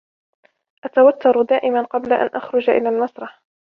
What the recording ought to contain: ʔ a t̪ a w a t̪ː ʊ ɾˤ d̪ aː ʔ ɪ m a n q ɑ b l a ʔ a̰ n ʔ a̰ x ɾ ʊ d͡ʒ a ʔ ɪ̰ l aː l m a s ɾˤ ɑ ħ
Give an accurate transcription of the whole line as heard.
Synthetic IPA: ʔ a t̪ a w a t̪ː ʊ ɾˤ d̪ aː ʔ ɪ m a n q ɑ b l a ʔ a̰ n ʔ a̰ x ɾ ʊ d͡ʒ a ʔ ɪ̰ l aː l m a s ɾˤ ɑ ħ